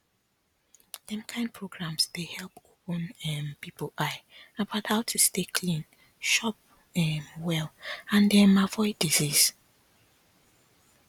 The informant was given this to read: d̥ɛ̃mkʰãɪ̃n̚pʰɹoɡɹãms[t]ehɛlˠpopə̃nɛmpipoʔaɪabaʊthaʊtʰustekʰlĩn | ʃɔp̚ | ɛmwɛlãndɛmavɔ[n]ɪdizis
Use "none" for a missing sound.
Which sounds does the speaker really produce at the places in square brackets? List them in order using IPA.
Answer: d, none

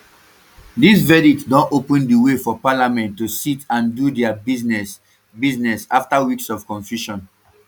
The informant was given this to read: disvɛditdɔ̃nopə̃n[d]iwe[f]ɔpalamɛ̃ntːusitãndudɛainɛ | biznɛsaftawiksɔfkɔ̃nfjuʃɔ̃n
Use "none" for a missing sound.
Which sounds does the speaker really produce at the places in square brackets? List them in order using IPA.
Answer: d, f

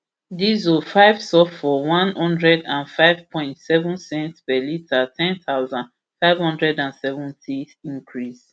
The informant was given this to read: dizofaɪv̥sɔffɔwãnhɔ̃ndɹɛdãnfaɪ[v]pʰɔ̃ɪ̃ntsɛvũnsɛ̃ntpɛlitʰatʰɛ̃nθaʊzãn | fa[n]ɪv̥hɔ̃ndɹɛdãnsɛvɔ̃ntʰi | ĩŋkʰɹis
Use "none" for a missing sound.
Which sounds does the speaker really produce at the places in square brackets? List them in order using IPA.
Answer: v, none

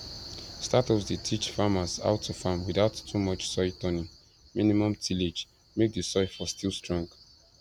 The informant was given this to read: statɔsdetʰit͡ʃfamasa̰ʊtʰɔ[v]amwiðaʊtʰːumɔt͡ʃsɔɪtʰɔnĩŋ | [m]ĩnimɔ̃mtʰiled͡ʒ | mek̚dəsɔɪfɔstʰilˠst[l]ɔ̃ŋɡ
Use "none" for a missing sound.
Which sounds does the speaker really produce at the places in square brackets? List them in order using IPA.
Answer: f, m, ɹ

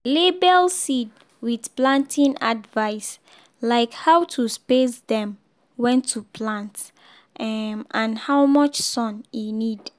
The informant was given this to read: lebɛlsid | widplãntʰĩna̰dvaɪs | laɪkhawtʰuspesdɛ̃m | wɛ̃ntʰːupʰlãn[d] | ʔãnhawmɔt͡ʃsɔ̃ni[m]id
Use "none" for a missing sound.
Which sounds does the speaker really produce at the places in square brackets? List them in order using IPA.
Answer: t, n

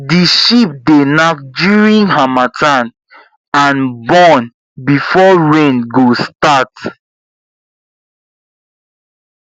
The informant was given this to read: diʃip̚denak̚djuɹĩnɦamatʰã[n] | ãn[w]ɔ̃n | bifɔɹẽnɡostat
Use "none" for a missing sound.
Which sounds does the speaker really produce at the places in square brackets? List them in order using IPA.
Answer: n, b

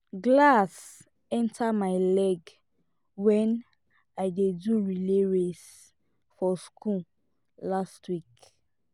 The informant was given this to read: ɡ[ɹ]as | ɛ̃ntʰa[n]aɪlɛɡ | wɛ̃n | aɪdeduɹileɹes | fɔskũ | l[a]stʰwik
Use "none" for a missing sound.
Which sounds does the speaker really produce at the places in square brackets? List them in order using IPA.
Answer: l, m, a

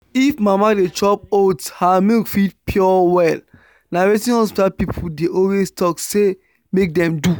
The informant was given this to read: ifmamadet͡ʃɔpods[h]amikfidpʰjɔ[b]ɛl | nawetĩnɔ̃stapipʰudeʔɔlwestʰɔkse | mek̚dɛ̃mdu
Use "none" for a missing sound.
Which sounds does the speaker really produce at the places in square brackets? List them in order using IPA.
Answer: h, w

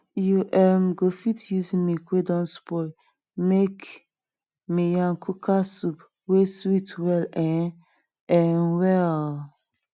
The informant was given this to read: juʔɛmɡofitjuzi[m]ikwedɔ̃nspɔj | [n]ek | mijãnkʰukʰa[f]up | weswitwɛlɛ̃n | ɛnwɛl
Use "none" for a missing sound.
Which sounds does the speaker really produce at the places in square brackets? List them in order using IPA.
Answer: m, m, s

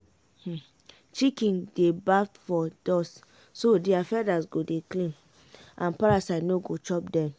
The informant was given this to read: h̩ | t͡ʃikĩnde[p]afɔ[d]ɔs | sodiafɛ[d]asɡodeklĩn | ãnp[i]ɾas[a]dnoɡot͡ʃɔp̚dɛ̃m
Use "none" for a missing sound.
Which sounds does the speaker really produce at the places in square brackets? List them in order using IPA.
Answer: b, d, d, a, a

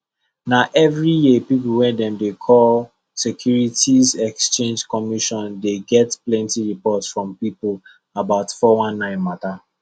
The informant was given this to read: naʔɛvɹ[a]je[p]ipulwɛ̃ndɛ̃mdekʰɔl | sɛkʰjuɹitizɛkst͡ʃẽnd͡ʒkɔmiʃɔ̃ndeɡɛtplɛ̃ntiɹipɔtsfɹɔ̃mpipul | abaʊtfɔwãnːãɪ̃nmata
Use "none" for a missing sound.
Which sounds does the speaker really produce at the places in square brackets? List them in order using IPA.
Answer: i, p

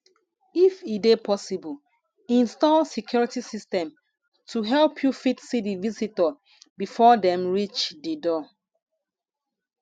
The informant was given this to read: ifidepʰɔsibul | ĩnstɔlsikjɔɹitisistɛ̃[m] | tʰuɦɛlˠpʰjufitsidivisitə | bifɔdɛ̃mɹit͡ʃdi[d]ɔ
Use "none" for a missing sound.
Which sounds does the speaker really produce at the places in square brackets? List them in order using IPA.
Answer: m, d

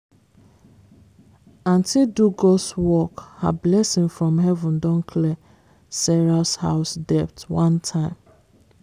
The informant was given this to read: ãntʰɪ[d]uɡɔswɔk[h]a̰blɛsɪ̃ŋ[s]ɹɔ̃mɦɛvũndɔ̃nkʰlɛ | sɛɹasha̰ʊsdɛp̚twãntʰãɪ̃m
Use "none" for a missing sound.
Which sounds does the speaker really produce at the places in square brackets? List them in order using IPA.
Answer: d, h, f

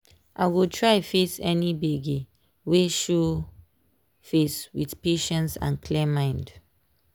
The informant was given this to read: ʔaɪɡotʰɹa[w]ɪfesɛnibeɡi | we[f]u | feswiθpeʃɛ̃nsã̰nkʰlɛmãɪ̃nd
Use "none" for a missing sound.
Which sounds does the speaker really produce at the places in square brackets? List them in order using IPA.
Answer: none, ʃ

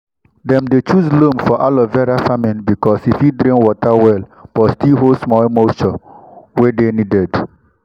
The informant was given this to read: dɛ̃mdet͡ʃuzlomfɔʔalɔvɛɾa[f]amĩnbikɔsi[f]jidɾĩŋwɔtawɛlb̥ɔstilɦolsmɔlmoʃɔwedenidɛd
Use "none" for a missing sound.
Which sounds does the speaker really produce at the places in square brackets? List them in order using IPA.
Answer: f, f

